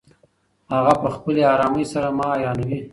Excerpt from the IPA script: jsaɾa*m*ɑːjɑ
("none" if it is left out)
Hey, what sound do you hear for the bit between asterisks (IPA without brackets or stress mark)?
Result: m